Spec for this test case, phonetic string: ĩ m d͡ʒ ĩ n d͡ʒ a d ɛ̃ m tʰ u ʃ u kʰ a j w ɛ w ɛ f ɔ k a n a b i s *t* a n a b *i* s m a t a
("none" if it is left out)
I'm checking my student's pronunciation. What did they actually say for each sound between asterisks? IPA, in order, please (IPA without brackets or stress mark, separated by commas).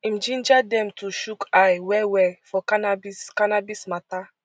k, i